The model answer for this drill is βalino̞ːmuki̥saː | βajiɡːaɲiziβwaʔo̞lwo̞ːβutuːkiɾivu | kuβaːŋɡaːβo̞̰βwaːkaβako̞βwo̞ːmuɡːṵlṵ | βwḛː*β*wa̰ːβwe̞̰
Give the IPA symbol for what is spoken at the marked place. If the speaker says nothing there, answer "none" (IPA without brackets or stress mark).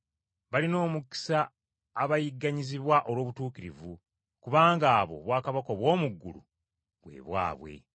β